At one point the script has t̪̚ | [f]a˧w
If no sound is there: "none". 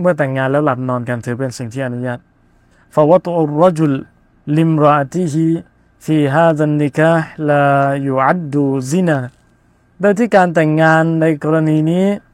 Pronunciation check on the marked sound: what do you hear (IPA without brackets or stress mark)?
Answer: f